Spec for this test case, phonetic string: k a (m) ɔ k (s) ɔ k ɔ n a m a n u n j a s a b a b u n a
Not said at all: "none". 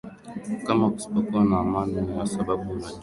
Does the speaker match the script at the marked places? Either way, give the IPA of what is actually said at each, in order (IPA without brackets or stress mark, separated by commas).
m, s